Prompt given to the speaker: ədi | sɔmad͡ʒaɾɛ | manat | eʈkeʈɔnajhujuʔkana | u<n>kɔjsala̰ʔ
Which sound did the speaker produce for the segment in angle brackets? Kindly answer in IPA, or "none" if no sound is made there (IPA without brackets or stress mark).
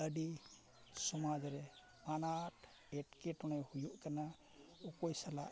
none